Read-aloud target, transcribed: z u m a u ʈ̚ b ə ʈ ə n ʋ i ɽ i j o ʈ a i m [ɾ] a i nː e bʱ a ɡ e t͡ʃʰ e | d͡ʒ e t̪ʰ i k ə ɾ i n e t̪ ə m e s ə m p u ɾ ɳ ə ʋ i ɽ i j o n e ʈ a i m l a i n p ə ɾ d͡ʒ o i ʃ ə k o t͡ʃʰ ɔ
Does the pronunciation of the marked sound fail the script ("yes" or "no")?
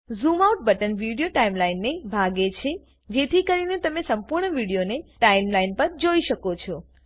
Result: yes